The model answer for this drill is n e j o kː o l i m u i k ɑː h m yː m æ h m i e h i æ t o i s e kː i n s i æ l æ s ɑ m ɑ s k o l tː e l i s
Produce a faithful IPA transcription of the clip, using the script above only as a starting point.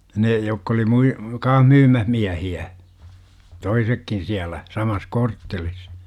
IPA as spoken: n e j o kː o l i m u i k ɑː h m yː m æ h m i æ h i æ t o i s e kː i n s i æ l æ s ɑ m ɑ s k o r tː e l i s